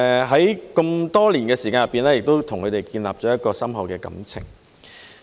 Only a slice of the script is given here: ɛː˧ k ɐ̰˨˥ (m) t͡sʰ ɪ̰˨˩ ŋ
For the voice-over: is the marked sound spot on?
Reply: yes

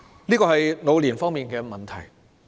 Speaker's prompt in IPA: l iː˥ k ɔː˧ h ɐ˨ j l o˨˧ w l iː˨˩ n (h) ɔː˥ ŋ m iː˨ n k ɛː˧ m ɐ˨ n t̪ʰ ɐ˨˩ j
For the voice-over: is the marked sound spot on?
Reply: no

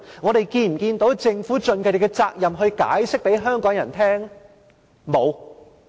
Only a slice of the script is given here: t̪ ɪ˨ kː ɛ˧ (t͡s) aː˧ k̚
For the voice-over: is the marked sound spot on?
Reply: yes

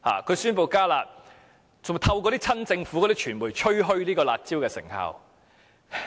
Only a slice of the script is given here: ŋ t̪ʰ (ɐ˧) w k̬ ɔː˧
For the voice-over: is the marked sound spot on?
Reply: yes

